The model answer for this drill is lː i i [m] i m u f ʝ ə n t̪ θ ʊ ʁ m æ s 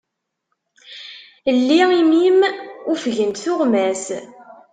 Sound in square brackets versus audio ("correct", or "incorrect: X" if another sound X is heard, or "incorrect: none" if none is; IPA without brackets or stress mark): correct